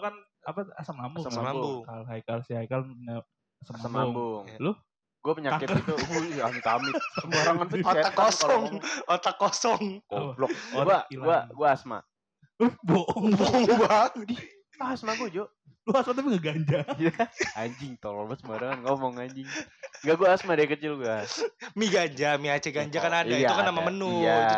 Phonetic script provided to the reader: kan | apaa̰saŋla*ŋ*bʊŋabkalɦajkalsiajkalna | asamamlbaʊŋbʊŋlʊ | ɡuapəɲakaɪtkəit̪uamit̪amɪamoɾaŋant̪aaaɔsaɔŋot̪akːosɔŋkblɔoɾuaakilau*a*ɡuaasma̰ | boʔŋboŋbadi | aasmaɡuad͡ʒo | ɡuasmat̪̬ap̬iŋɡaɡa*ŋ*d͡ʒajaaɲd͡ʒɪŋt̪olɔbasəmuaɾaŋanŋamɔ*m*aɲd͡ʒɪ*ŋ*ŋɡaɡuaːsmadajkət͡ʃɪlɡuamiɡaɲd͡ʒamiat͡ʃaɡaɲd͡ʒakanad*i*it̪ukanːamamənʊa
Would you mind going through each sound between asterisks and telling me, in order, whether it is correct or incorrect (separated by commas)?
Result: incorrect, correct, incorrect, incorrect, correct, incorrect